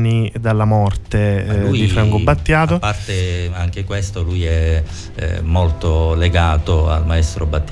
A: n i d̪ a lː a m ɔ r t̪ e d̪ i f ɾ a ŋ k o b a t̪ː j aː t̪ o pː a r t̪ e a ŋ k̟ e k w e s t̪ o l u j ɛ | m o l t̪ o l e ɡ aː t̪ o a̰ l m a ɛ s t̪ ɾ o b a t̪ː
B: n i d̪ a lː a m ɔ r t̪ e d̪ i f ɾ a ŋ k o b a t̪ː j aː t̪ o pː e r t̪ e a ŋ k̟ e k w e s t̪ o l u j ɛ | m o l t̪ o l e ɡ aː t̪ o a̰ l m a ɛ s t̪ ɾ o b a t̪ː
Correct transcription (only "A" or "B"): A